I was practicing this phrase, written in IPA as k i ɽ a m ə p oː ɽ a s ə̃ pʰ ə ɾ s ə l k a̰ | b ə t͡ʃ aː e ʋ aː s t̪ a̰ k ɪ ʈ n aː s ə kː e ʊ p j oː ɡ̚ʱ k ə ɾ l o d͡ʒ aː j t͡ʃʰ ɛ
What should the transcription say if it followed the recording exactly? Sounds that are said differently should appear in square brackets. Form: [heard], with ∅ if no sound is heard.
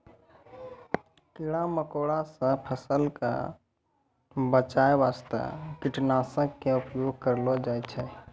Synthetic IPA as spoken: k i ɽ a m ə [k] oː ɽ a s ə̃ pʰ ə [∅] s ə l k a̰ | b ə t͡ʃ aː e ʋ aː s t̪ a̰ k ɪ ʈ n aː s ə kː e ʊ p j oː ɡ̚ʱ k ə ɾ l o d͡ʒ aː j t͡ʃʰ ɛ